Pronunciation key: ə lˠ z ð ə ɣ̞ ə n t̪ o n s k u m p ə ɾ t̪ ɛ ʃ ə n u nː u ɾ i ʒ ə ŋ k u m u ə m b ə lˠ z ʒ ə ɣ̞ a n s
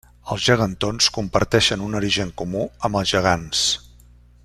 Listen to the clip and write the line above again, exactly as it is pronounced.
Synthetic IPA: ə lˠ z ʒ ə ɣ̞ ə n t̪ o n s k u m p ə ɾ t̪ ɛ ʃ ə n u n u ɾ i ʒ ə ŋ k u m u ə m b ə lˠ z ʒ ə ɣ̞ a n s